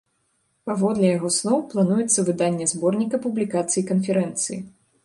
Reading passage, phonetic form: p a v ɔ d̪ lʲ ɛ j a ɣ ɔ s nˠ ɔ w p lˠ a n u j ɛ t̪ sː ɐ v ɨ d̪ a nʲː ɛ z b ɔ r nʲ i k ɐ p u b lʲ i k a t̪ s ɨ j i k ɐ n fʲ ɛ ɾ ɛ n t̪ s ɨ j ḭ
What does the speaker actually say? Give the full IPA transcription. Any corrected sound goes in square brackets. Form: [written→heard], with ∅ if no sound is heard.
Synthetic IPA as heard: p a v ɔ d̪ lʲ ɛ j a ɣ ɔ s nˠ ɔ w p lˠ a n u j ɛ t̪ sː ɐ v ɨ d̪ a nʲː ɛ z b ɔ r nʲ i k ɐ p u b lʲ i k a t̪ s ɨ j i k ɐ n fʲ ɛ ɾ ɛ n t̪ s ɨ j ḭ